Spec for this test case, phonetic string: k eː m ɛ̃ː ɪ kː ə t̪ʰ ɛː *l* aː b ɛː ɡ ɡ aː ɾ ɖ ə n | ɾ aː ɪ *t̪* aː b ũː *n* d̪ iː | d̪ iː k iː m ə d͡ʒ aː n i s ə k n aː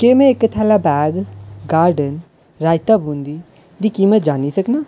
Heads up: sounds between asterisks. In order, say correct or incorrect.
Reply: correct, correct, correct

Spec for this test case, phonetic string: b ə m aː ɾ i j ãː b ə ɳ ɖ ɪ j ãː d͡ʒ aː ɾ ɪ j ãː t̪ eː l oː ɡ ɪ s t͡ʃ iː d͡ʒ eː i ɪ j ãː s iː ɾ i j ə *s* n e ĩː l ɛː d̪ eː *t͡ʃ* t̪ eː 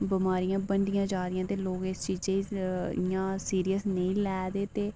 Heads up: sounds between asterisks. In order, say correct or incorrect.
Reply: correct, incorrect: none

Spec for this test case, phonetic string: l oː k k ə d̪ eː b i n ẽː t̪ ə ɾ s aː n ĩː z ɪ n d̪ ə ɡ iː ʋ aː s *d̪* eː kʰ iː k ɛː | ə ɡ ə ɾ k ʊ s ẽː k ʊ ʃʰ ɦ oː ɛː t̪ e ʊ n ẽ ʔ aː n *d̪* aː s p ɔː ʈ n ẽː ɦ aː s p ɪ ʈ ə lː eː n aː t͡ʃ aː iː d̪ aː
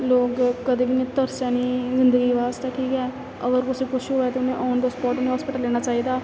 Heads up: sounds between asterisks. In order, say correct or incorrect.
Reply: incorrect: t̪, correct

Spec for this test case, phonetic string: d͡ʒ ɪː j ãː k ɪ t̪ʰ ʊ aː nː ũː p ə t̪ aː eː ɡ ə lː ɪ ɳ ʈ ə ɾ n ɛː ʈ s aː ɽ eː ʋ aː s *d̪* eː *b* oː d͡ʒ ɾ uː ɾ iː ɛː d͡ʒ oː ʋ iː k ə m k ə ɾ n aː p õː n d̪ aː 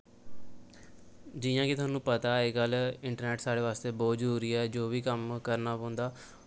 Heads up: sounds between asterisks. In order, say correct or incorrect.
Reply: incorrect: t̪, correct

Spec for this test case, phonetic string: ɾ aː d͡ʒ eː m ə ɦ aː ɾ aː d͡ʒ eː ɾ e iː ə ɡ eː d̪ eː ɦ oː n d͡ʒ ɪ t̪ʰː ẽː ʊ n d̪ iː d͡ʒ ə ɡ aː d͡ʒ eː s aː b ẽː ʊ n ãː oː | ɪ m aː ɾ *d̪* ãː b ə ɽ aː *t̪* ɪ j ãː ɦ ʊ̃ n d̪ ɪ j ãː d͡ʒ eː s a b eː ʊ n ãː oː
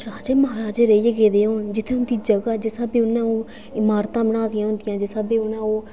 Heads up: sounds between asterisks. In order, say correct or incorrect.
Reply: incorrect: t̪, incorrect: d̪

